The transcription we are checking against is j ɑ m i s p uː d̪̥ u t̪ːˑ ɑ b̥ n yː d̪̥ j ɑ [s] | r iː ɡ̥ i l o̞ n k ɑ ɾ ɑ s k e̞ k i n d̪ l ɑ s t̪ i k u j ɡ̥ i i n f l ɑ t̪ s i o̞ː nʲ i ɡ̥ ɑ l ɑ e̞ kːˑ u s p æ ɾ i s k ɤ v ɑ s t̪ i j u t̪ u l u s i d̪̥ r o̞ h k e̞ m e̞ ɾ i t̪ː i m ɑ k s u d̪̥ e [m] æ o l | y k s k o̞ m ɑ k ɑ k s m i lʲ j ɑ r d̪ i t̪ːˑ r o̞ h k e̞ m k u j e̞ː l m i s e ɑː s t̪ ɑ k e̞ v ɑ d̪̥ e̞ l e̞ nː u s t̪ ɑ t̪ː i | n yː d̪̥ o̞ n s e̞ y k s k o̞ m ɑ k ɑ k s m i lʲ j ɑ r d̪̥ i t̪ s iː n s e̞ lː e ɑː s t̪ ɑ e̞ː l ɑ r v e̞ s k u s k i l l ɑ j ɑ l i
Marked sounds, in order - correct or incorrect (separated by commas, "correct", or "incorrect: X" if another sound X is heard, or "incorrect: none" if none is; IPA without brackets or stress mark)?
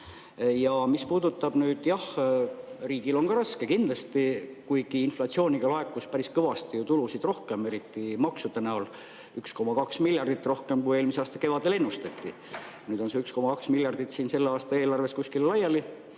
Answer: incorrect: h, incorrect: n